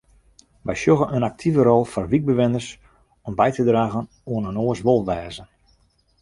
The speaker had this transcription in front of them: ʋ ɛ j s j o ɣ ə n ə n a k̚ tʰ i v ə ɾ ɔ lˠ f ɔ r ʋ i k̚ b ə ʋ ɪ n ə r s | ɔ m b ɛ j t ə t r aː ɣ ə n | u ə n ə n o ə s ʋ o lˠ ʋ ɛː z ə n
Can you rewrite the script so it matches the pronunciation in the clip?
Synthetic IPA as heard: ʋ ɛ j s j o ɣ ə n ə n a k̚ tʰ i v ə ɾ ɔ lˠ f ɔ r ʋ i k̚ b ə ʋ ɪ n ə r s | ɔ m b ɛ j t ə d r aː ɣ ə n | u ə n ə n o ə s ʋ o lˠ ʋ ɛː z ə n